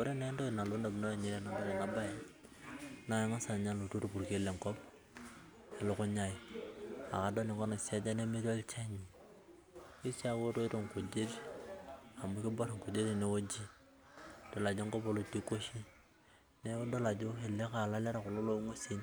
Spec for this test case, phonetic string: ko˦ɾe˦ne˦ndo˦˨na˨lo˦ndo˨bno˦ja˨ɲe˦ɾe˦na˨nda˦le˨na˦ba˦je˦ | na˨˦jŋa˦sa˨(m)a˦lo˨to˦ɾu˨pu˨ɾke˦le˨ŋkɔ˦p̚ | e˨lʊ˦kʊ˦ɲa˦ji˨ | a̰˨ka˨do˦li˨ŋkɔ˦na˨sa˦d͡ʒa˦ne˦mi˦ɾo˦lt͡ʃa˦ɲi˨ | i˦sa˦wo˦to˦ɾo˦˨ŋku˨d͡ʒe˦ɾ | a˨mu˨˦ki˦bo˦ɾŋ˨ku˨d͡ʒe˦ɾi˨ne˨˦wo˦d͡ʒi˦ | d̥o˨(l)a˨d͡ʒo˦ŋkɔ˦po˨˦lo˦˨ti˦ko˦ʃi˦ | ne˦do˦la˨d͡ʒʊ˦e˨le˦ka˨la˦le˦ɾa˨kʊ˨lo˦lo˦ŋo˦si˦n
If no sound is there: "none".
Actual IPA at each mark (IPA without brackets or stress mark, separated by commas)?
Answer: ɲ, l